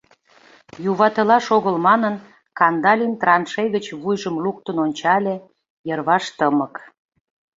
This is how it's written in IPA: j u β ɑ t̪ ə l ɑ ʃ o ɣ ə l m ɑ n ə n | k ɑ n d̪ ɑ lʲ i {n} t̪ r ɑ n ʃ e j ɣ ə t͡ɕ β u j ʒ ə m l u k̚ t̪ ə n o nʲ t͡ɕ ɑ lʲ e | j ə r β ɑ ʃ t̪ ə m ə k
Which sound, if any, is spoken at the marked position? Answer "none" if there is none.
n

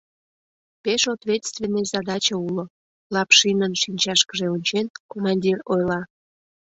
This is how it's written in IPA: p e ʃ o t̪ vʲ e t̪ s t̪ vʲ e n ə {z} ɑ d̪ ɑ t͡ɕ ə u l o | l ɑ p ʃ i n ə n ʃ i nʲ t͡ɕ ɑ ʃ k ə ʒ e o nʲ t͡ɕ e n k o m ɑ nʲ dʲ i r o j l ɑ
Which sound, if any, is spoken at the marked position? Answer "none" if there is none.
z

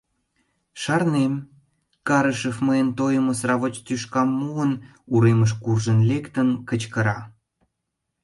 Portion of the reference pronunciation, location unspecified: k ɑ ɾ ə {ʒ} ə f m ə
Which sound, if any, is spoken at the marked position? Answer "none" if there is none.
ʃ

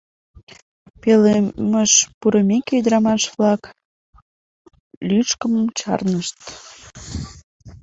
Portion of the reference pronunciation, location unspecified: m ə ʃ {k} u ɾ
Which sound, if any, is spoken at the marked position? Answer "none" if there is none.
p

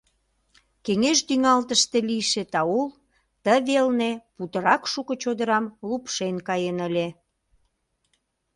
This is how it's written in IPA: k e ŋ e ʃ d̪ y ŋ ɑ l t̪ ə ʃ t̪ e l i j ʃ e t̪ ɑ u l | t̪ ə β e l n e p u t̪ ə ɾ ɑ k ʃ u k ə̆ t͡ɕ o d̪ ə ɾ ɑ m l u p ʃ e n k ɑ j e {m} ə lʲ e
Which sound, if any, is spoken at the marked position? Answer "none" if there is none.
n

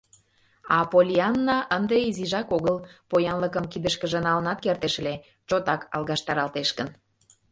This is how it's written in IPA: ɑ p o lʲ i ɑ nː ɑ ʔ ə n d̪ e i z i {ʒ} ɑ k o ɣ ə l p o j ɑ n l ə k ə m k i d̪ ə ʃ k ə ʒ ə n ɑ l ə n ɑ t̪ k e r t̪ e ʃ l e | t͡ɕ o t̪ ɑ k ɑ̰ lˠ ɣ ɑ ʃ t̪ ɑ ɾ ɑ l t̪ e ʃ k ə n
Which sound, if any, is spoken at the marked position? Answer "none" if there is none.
ʒ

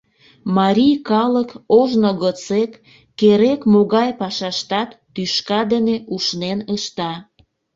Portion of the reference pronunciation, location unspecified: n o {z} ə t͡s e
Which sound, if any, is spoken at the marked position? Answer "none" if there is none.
ɣ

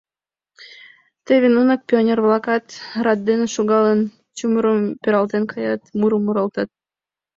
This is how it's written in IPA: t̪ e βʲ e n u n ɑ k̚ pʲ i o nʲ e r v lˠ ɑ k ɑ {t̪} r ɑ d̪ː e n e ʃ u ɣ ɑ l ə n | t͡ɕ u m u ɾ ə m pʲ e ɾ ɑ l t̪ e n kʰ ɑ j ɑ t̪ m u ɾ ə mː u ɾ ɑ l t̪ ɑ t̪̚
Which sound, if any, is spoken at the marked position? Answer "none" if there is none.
t̪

